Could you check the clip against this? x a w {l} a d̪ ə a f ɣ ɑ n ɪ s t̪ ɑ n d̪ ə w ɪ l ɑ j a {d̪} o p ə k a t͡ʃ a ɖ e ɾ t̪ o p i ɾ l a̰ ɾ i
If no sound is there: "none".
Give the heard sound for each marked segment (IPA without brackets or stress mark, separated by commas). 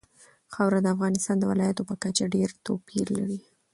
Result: ɾ, t̪